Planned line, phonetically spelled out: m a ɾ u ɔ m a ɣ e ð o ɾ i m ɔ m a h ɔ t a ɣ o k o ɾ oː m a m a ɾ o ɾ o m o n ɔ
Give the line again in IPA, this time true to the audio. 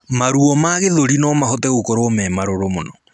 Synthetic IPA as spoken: m a ɾ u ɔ m a ɣ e ð o ɾ i n ɔ m a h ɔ t ɛ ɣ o k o ɾ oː m ɛ m a ɾ o ɾ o m o n ɔ